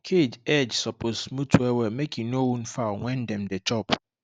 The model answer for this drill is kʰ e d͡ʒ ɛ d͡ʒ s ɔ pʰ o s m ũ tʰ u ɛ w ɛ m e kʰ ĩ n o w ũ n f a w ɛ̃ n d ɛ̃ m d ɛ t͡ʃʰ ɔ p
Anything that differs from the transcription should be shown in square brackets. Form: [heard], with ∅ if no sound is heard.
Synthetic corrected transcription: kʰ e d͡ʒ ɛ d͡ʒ s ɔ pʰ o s m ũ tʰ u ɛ w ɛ m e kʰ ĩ n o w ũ n f a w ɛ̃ n d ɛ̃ m d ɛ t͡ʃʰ ɔ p